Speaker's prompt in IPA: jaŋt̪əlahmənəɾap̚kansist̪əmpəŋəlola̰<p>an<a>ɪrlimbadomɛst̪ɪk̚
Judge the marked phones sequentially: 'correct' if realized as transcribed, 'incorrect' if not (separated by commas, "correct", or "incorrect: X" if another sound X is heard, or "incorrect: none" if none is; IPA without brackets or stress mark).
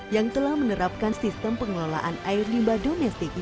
incorrect: ʔ, correct